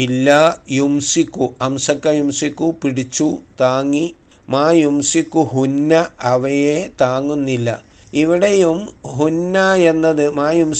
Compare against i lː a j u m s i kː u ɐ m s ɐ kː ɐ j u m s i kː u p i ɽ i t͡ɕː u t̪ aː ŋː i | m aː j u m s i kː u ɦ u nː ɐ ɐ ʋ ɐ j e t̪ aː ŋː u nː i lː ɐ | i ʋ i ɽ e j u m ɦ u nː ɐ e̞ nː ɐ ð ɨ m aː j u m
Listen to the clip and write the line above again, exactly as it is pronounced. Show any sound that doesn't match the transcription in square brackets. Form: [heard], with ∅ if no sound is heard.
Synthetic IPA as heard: i lː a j u m s i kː u ɐ m s ɐ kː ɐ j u m s i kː u p i ɽ i t͡ɕː u t̪ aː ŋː i | m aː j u m s i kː u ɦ u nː ɐ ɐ ʋ ɐ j e t̪ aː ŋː u nː i lː ɐ | i ʋ i ɽ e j u m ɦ u nː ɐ e̞ nː ɐ ð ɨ m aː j u m